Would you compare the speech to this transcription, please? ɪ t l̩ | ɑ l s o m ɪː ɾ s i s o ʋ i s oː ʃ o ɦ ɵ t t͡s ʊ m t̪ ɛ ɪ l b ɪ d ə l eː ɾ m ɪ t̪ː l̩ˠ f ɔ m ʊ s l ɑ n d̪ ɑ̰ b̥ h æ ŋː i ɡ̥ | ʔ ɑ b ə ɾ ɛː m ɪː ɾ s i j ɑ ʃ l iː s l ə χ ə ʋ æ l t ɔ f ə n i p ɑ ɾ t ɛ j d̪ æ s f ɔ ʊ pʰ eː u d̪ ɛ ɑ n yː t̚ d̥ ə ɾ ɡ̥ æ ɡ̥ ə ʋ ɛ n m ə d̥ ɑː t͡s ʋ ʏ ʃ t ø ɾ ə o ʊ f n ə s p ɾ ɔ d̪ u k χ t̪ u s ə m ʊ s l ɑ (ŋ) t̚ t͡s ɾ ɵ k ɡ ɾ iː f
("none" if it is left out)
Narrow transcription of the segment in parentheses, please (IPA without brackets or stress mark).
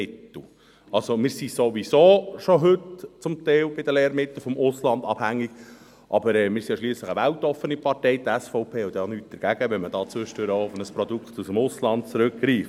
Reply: n